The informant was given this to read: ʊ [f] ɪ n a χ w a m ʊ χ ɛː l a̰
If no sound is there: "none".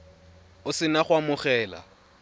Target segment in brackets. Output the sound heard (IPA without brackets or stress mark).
s